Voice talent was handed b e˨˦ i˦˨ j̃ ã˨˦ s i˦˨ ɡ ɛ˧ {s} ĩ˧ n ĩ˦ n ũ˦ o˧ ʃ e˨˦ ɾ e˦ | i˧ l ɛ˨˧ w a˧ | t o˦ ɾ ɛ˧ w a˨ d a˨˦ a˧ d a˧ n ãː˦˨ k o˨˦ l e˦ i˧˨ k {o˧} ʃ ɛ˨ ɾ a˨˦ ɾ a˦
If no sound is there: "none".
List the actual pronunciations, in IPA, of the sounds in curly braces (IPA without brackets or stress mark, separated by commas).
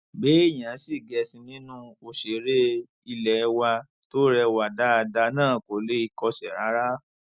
s, ɔ˧